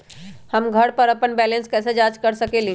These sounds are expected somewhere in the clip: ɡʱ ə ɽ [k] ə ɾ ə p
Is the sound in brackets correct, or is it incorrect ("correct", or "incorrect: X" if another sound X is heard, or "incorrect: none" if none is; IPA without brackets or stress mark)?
incorrect: p